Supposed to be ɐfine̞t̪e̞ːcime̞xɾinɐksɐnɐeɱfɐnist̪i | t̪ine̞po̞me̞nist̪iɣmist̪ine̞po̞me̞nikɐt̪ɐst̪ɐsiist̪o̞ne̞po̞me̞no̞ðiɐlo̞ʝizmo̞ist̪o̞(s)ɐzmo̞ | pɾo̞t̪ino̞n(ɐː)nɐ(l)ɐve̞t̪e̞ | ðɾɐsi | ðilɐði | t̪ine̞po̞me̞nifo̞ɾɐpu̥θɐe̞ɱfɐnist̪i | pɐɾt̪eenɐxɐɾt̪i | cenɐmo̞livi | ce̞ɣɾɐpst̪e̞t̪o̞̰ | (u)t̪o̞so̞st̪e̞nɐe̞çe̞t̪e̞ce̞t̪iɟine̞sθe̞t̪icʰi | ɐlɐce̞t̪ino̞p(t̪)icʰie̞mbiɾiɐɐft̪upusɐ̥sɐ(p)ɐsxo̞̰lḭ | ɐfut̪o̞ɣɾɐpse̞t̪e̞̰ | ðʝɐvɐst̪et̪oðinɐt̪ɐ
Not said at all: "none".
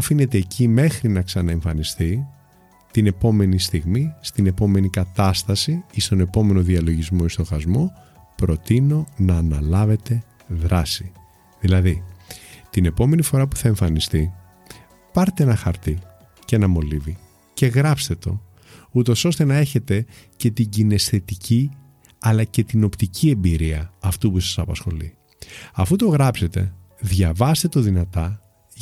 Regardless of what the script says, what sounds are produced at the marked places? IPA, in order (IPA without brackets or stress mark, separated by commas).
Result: x, ɐː, l, u, t̪, p